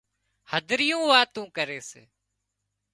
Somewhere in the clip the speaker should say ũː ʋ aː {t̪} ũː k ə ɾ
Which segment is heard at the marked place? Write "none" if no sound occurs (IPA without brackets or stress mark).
t̪